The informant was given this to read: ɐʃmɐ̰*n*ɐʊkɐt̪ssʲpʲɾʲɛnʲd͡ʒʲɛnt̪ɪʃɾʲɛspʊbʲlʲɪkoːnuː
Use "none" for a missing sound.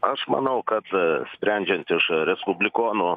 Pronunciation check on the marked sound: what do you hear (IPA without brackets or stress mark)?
n